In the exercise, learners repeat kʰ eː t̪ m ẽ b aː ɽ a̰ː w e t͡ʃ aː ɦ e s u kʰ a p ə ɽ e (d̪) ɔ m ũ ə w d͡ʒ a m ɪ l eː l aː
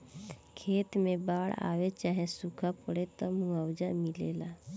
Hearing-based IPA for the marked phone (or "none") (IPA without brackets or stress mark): t̪